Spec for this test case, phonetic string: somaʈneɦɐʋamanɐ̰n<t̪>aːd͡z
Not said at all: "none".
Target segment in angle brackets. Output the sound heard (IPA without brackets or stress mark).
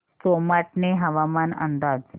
d̪